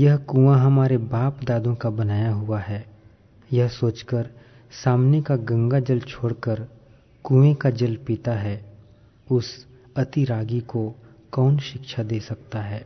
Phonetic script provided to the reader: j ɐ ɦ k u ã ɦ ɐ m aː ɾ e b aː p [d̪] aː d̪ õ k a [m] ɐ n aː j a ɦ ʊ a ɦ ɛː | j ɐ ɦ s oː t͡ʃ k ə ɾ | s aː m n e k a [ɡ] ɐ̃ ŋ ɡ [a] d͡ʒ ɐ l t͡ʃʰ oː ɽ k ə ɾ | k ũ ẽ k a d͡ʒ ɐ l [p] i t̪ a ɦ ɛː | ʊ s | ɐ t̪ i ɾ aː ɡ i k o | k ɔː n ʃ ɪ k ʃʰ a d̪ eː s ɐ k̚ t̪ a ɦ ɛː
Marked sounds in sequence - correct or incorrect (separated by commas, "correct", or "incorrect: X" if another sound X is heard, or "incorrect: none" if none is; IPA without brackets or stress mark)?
correct, incorrect: b, correct, correct, correct